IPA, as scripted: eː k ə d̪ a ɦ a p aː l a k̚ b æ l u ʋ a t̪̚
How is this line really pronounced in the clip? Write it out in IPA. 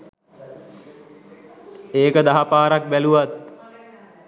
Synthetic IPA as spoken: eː k ə d̪ a ɦ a p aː ɾ a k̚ b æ l u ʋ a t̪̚